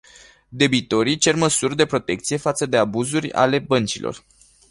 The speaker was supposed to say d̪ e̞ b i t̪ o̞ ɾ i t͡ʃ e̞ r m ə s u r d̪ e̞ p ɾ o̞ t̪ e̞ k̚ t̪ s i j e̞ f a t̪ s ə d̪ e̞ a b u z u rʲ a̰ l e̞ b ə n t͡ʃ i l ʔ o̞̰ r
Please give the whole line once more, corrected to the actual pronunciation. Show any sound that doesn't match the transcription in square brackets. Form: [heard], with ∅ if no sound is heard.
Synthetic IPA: d̪ e̞ b i t̪ o̞ ɾ i t͡ʃ e̞ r m ə s u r d̪ e̞ p ɾ o̞ t̪ e̞ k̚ t̪ s i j e̞ f a t̪ s ə d̪ e̞ a b u z u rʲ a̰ l e̞ b ə n t͡ʃ i l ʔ o̞̰ r